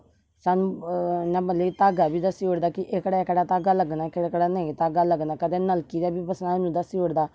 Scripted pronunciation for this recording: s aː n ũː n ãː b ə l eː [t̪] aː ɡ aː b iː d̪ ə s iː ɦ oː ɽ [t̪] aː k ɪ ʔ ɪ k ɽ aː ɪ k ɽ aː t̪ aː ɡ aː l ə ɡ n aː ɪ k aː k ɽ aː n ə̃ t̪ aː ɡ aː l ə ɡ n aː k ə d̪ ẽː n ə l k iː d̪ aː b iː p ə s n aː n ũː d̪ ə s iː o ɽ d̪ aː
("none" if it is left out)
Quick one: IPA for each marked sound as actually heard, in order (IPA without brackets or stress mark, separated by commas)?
t̪, d̪